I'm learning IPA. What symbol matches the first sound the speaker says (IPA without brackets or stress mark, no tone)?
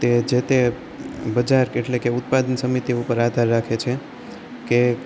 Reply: t̪